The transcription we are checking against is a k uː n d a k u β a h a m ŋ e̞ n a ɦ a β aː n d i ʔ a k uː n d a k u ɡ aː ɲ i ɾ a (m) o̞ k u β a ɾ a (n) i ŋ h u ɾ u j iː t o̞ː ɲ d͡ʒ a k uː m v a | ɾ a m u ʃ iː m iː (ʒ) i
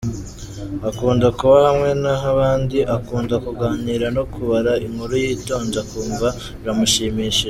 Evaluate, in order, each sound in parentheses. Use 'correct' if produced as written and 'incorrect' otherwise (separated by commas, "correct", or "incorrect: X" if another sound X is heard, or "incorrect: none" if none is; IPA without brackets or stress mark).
incorrect: n, incorrect: none, incorrect: ʃ